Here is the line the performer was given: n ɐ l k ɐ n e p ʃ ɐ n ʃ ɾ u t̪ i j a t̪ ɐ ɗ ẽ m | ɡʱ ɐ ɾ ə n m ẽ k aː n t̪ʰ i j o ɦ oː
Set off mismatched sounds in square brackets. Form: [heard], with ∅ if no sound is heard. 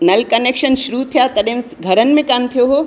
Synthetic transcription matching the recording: n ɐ l k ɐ n e [k] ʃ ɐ n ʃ ɾ u [t̪ʰ] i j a t̪ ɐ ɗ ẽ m | ɡʱ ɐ ɾ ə n m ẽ k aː n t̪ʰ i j o ɦ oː